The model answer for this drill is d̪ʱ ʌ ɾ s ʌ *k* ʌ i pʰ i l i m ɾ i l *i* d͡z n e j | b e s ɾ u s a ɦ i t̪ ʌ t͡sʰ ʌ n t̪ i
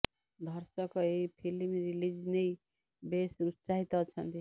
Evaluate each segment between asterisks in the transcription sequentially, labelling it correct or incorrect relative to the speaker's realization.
correct, correct

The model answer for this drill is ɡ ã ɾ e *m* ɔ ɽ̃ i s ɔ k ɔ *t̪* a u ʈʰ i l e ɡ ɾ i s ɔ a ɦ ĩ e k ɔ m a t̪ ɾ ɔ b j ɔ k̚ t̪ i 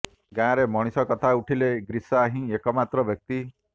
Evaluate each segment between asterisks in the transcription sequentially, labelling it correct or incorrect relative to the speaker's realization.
correct, incorrect

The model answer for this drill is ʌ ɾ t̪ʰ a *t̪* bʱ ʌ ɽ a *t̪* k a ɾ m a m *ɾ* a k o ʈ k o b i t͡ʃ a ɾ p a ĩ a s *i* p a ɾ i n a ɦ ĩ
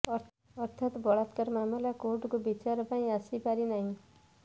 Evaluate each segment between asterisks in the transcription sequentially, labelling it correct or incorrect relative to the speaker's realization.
correct, correct, incorrect, correct

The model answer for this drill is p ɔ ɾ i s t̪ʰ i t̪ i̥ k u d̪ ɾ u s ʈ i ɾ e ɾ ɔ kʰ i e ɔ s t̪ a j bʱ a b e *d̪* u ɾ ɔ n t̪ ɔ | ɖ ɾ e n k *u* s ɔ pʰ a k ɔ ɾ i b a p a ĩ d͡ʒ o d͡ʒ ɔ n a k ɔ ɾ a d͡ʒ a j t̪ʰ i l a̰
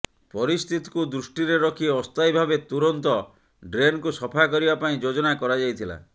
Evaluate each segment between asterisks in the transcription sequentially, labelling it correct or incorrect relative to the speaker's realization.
incorrect, correct

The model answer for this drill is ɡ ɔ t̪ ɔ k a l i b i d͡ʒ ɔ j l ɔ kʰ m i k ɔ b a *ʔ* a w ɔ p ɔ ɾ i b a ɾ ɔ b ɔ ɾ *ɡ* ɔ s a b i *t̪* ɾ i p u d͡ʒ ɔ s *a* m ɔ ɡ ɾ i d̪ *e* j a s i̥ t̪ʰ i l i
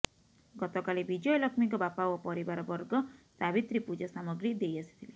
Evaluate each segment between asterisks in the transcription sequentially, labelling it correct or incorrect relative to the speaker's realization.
incorrect, correct, correct, correct, correct

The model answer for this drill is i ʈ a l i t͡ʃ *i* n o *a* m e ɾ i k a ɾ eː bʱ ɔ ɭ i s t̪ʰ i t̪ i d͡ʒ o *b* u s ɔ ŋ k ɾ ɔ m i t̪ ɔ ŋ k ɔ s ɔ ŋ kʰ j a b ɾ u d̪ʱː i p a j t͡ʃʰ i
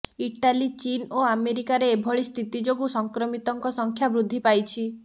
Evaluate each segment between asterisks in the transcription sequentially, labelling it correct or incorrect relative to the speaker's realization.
correct, correct, incorrect

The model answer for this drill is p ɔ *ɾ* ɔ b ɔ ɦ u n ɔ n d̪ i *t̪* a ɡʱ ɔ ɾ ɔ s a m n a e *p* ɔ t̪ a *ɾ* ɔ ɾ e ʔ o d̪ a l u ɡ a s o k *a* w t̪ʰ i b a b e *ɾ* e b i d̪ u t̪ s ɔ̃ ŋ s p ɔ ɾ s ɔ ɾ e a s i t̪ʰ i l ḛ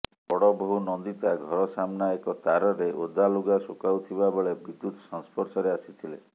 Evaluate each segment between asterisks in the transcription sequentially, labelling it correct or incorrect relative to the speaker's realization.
incorrect, correct, incorrect, correct, correct, incorrect

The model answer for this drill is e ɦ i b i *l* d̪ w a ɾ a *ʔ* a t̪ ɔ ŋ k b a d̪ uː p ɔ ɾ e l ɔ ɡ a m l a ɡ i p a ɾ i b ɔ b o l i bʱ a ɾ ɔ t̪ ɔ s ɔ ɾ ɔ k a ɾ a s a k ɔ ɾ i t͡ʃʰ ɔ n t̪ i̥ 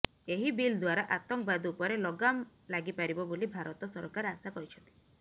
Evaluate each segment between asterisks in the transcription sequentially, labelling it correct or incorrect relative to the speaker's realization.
correct, correct

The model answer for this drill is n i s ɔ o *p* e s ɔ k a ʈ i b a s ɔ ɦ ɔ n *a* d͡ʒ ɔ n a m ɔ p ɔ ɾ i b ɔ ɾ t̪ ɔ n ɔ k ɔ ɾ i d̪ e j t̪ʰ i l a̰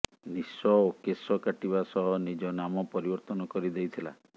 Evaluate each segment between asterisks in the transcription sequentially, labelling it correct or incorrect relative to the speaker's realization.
incorrect, incorrect

